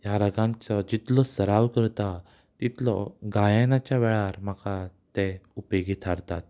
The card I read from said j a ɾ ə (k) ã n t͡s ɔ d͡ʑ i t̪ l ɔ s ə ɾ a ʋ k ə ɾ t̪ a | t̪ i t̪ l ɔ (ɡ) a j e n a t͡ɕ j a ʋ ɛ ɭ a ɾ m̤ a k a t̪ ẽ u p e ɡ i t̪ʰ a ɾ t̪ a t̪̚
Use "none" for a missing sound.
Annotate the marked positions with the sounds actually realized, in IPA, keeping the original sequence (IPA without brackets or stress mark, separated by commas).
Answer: ɡ, ɡ